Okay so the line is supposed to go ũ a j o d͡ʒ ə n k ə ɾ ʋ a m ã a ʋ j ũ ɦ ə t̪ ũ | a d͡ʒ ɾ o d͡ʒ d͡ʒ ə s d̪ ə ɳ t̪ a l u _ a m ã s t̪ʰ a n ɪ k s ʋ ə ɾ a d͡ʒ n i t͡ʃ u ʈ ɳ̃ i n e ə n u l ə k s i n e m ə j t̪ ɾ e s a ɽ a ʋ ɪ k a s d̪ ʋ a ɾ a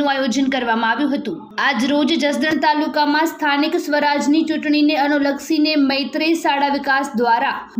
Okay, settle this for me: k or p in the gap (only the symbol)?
k